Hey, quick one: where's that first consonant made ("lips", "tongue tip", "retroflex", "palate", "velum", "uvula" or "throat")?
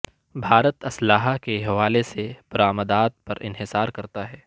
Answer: lips